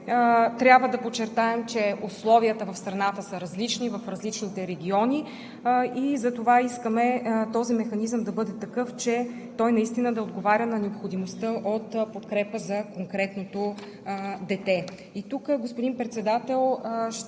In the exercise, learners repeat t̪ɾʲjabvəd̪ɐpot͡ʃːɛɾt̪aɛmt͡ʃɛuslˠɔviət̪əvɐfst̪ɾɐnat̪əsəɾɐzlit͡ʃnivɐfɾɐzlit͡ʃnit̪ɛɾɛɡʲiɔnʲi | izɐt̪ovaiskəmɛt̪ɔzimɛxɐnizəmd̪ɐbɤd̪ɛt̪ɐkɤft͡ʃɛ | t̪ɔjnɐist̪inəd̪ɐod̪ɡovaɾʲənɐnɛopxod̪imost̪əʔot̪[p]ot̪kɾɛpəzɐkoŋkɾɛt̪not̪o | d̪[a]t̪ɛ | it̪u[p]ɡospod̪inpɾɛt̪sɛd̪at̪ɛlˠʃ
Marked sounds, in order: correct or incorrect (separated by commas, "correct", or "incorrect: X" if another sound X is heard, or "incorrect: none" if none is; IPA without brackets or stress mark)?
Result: correct, incorrect: ɛ, incorrect: k